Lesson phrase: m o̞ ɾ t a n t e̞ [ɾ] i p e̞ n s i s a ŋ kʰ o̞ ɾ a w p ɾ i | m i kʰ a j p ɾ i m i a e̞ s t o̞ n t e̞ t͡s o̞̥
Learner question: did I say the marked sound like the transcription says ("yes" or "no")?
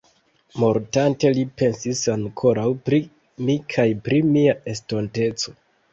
no